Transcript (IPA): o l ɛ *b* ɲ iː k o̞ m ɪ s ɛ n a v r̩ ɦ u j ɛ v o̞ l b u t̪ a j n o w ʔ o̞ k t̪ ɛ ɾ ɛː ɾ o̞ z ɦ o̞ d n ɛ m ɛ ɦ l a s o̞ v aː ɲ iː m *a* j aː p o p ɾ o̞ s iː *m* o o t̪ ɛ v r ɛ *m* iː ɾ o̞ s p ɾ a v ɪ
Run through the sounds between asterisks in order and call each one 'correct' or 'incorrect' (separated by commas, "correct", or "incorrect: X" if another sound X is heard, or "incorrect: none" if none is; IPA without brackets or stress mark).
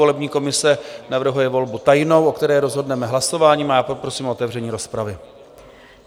correct, correct, correct, incorrect: ɲ